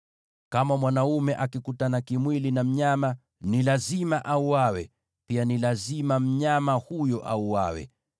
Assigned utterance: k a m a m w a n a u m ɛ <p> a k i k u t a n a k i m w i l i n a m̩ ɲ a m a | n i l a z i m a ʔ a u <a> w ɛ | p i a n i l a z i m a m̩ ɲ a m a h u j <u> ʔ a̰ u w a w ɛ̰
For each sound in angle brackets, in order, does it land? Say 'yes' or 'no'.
no, yes, no

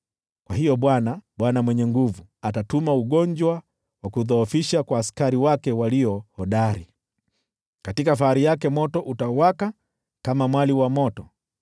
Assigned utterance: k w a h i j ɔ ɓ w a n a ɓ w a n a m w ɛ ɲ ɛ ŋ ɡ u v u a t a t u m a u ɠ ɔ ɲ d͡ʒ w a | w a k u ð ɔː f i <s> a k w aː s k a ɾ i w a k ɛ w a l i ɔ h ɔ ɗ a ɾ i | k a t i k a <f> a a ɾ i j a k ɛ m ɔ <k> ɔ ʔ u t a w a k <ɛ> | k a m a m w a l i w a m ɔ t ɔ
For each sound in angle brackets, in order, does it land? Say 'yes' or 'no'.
no, yes, no, no

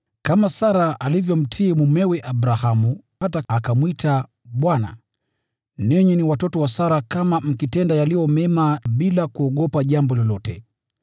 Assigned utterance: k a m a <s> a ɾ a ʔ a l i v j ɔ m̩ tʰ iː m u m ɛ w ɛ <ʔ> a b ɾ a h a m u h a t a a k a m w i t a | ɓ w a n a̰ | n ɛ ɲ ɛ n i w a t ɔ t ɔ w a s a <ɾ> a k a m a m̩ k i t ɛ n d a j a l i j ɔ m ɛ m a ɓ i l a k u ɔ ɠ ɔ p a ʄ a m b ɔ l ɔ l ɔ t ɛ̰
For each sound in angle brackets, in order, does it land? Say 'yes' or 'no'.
yes, yes, yes

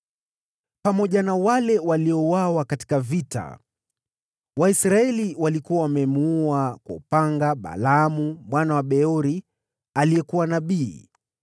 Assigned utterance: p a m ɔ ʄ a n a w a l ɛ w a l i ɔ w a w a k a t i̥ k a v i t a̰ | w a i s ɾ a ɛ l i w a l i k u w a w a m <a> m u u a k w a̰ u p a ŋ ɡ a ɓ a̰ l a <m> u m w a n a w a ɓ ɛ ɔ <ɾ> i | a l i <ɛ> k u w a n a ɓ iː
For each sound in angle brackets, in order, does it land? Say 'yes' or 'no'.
no, yes, yes, yes

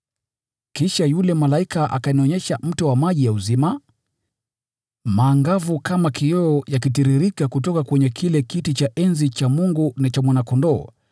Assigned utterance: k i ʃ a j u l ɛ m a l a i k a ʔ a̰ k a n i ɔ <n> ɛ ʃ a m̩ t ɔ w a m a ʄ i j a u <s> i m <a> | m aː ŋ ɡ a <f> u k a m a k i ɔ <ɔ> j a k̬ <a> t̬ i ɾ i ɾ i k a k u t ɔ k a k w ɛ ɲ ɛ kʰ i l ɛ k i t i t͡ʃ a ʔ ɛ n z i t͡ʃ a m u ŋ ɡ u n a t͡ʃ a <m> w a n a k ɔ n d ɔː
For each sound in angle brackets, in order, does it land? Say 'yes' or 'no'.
no, no, yes, no, yes, no, yes

